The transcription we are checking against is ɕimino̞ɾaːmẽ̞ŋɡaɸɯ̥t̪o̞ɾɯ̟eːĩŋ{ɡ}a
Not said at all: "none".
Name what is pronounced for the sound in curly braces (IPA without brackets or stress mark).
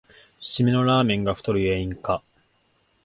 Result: k